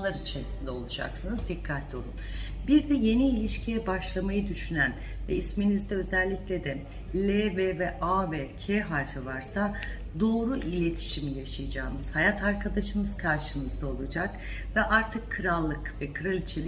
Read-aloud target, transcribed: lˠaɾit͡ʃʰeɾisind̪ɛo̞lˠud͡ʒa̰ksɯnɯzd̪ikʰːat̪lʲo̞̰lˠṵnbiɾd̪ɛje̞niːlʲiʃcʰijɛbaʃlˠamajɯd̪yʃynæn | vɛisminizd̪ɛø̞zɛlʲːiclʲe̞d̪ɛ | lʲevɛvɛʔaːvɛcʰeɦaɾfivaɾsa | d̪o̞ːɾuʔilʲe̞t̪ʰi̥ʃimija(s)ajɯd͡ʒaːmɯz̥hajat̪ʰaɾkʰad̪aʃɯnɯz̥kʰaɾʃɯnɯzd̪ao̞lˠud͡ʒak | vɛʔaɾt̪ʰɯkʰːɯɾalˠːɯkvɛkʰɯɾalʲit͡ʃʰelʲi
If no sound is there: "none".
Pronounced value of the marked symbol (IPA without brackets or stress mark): ʃ